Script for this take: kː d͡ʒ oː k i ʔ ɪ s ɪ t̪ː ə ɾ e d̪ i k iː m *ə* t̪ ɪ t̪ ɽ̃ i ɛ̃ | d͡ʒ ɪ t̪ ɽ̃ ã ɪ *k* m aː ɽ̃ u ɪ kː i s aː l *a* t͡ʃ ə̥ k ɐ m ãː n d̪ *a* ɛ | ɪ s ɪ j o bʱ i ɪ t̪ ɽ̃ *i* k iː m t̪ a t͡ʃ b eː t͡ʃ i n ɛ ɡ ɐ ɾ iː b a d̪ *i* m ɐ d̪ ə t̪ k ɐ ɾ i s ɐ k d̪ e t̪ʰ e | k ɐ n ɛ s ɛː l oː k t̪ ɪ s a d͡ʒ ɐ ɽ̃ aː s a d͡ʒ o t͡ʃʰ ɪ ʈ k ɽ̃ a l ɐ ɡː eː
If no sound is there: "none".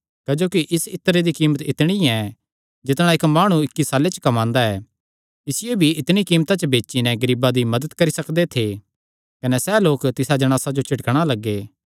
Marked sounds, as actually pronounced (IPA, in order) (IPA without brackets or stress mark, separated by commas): ə, k, e, a, i, i